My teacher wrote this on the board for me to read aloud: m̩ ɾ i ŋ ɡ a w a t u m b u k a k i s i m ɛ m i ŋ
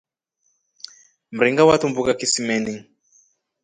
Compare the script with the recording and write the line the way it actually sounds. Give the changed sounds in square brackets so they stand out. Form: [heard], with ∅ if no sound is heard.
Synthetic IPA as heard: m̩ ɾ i ŋ ɡ a w a t u m b u k a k i s i m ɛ [n] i ŋ